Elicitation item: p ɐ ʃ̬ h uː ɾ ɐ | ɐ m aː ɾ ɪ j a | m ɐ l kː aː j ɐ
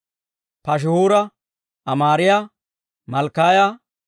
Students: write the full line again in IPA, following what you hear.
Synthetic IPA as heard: p ɐ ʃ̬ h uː ɾ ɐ | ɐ m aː ɾ ɪ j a | m ɐ l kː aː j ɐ